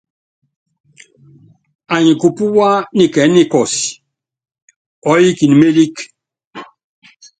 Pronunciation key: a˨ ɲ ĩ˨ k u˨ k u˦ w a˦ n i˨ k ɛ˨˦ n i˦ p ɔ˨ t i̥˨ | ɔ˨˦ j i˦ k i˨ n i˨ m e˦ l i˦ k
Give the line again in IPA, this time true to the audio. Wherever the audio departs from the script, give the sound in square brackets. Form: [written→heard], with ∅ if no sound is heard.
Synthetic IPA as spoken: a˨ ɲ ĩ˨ k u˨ [k→p] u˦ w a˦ n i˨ k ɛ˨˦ n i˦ [p→k] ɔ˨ [t→s] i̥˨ | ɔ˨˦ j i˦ k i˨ n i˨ m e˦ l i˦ k